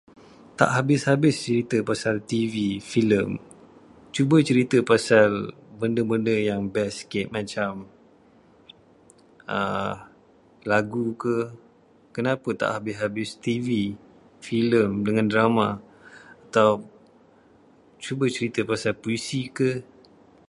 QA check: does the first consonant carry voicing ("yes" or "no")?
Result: no